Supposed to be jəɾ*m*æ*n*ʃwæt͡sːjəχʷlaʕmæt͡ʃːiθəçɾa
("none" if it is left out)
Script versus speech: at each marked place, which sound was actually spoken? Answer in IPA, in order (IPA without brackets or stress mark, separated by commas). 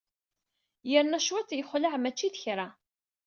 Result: n, none